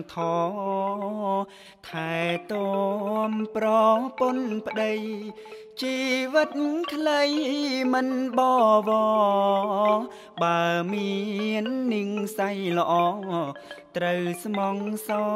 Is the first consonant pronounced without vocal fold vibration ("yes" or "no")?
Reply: yes